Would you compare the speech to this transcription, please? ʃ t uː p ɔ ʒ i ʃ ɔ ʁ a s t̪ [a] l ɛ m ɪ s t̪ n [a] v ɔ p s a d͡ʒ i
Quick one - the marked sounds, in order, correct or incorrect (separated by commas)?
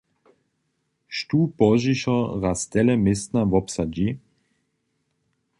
incorrect, correct